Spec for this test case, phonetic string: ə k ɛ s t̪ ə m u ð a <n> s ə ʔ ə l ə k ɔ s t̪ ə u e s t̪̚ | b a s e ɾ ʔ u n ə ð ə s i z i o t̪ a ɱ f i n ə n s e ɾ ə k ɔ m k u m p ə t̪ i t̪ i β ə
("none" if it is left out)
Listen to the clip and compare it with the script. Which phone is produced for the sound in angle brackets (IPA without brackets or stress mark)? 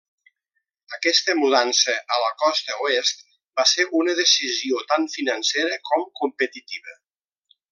n